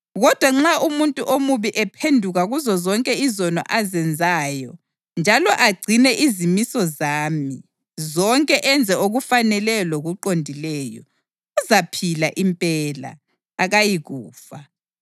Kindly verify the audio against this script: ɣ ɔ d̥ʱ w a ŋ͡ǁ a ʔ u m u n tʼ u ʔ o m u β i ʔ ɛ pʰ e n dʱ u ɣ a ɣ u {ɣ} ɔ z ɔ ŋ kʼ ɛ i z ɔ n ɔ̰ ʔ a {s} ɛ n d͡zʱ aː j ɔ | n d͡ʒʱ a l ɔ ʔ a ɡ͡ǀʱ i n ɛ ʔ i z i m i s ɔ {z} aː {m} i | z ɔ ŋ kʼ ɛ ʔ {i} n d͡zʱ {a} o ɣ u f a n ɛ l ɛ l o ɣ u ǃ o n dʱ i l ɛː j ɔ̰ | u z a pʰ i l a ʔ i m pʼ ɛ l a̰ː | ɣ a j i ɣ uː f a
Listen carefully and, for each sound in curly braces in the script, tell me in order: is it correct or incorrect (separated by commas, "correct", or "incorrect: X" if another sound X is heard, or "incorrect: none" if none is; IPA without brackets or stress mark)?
incorrect: z, incorrect: z, correct, correct, incorrect: ɛ, incorrect: ɛ